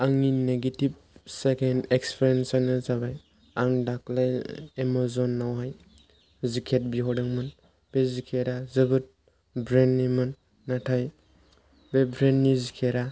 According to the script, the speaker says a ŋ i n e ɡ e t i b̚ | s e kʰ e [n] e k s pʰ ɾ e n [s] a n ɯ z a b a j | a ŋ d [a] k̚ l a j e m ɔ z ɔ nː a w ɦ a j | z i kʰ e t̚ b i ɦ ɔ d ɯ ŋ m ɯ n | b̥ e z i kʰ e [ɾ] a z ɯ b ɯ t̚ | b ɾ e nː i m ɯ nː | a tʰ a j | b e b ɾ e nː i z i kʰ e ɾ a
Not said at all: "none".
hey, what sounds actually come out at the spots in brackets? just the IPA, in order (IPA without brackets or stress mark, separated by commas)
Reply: n, s, a, ɾ